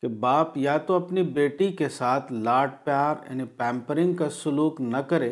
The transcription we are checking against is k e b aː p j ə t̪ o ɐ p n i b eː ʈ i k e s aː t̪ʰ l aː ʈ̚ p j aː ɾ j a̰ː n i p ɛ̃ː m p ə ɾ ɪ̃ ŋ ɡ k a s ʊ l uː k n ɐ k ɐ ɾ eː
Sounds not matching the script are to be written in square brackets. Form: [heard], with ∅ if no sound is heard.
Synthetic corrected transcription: k e b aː p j [a] t̪ o ɐ p n i b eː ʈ i k e s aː t̪ʰ l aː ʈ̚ p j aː ɾ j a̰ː n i p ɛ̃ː m p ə ɾ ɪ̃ ŋ ɡ k a s ʊ l uː k n ɐ k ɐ ɾ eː